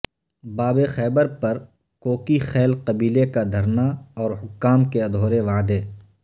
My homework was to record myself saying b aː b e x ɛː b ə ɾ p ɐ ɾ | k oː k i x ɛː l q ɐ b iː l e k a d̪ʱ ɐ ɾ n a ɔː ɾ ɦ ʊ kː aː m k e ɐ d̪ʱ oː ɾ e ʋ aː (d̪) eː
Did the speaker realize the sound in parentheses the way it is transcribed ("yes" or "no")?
yes